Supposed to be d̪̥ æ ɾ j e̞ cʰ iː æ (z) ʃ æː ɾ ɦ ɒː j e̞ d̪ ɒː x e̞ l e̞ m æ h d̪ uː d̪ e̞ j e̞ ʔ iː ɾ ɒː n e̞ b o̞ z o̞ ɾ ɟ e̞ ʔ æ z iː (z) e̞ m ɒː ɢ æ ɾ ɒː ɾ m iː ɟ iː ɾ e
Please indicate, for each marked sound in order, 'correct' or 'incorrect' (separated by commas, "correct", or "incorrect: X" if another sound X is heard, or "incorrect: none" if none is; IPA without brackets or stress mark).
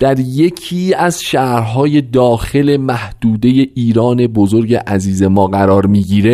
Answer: correct, correct